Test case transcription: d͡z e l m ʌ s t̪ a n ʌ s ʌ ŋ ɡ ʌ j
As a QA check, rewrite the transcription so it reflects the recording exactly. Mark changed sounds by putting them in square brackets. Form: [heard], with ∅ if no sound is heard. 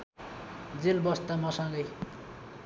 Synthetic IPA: d͡z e l [b] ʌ s t̪ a [m] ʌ s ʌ ŋ ɡ ʌ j